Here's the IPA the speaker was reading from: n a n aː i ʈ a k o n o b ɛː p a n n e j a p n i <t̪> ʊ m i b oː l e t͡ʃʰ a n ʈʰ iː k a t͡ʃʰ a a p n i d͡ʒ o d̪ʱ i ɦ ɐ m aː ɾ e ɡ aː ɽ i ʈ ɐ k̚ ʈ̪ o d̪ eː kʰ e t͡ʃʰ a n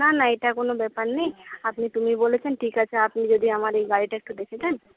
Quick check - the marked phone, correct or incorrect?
correct